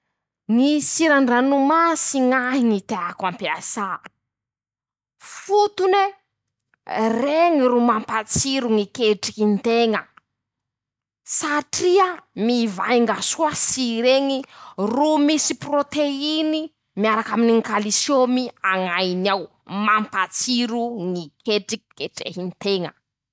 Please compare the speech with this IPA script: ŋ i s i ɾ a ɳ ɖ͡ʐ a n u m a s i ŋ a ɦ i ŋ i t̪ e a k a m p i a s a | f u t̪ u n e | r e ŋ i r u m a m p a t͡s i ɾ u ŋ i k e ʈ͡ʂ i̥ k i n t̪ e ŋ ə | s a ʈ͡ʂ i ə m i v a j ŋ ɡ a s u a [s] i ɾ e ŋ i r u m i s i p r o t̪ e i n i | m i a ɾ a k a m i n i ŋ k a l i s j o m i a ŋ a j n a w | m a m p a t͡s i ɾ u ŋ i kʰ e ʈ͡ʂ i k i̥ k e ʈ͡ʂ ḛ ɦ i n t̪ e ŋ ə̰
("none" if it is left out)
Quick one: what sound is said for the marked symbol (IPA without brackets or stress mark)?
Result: s